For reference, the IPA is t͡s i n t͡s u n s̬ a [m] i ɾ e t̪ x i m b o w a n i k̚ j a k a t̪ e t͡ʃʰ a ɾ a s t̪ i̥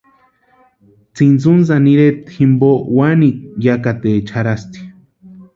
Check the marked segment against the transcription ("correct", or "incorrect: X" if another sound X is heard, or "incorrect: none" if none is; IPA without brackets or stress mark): incorrect: n